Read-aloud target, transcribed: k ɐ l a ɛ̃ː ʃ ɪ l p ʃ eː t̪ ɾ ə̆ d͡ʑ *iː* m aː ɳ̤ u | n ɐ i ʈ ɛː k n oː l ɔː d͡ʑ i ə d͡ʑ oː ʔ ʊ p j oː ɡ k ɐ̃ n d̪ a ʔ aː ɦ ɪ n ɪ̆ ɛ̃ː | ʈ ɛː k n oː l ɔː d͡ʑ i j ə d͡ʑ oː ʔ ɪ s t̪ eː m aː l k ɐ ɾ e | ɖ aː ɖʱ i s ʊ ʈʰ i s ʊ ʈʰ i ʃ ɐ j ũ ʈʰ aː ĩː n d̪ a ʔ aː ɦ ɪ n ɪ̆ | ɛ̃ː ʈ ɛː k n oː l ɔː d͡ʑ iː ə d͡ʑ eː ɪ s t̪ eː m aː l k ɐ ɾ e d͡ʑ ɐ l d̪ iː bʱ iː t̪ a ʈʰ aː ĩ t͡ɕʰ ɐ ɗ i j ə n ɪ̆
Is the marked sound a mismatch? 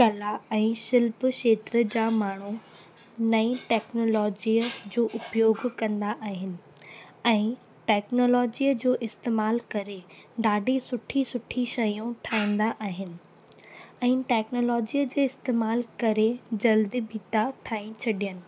yes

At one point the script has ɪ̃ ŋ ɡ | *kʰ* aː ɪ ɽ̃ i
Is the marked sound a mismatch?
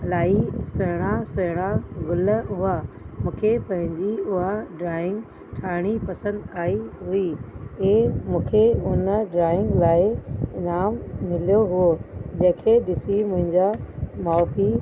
yes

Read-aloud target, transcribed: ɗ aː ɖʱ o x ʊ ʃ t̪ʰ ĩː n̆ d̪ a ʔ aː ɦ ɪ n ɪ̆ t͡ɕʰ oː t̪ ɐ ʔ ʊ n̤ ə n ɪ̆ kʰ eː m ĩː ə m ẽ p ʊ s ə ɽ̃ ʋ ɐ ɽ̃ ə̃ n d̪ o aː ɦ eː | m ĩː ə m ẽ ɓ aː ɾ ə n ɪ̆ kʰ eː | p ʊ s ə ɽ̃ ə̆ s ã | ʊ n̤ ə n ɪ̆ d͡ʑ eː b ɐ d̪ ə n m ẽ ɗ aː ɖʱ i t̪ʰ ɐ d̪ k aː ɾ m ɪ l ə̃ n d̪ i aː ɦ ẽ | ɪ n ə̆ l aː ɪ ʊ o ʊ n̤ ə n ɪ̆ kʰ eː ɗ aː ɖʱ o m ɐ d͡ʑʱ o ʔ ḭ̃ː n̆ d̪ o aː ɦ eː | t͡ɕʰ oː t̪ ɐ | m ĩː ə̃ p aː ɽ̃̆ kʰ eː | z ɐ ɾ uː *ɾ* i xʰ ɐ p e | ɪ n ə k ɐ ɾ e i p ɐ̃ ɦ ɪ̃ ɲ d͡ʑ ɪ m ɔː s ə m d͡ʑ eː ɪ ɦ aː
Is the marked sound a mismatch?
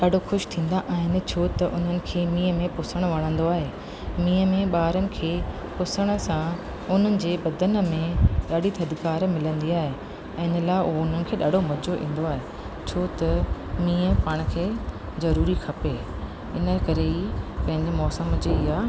no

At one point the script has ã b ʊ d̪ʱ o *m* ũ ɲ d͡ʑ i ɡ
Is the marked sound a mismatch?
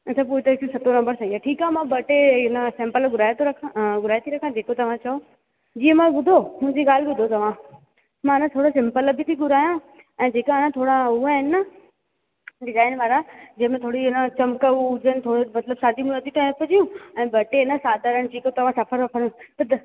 no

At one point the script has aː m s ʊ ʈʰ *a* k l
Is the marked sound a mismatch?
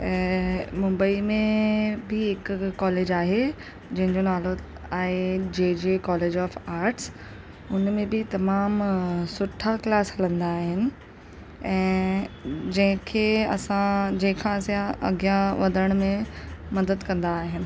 no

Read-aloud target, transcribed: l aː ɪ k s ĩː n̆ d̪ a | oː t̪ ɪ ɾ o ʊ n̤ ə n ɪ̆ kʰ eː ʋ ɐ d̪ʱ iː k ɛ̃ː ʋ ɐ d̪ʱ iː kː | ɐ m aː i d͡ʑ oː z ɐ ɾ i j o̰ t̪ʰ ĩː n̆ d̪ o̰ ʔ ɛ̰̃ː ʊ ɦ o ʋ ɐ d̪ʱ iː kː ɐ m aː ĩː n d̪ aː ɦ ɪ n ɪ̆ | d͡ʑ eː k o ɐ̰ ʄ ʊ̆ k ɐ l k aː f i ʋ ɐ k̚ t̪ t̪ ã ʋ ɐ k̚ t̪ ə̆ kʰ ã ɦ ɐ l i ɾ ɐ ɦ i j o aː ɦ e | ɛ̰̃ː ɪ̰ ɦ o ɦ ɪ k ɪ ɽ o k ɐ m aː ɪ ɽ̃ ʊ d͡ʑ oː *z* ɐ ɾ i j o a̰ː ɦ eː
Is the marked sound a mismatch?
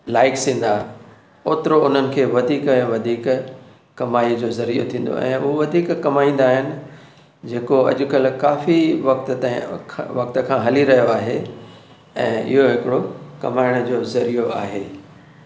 no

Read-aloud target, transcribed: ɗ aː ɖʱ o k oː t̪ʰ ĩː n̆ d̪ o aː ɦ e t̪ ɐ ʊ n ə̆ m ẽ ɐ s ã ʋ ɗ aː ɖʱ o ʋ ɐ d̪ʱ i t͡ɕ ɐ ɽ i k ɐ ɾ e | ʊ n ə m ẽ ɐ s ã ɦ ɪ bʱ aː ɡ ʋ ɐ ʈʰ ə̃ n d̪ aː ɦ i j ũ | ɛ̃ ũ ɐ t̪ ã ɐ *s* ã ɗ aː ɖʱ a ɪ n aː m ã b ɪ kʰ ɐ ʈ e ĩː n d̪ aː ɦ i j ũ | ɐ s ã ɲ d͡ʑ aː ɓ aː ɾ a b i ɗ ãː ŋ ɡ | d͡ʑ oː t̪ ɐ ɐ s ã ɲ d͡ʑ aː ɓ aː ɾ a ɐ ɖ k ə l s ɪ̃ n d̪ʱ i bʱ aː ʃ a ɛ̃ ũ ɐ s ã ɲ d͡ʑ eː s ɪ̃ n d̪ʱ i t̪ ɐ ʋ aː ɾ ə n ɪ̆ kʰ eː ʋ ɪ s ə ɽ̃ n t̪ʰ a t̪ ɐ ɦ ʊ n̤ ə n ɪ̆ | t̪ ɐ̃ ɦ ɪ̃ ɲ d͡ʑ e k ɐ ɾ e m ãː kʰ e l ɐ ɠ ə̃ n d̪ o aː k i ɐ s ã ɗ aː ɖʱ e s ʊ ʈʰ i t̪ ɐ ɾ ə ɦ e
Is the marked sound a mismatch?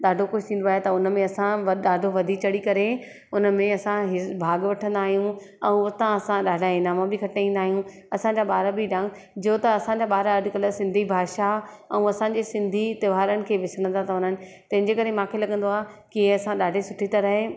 no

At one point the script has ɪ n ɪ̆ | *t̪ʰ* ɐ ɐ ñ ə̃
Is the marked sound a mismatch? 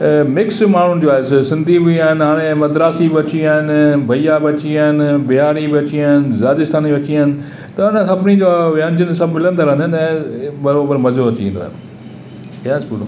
yes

